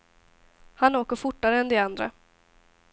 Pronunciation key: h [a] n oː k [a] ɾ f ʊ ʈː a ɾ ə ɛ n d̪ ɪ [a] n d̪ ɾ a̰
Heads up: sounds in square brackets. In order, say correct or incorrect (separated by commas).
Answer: correct, incorrect, correct